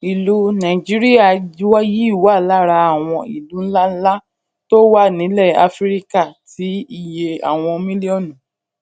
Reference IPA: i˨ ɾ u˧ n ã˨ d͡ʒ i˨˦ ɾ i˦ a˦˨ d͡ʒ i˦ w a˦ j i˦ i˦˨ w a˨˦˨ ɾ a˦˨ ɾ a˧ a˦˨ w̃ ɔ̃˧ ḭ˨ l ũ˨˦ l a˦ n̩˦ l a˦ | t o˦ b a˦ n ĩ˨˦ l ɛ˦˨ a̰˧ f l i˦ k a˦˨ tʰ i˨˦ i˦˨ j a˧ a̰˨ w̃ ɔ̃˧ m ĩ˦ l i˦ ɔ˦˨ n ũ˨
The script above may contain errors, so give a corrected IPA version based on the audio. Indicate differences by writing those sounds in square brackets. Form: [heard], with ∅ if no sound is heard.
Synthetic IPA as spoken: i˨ [l] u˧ n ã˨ d͡ʒ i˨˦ ɾ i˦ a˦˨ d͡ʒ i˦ w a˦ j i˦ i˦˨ w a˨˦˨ [l] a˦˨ ɾ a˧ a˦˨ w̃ ɔ̃˧ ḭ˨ l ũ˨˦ l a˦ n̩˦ l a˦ | t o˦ [w] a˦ n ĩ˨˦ l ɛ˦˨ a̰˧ f [ɾ] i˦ k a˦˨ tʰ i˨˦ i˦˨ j [e˧] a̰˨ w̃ ɔ̃˧ m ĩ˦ l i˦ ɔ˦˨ n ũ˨